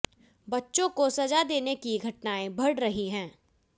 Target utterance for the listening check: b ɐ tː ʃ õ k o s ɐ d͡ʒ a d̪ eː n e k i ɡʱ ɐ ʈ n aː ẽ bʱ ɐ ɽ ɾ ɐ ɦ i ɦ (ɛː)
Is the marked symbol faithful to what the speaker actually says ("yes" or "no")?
no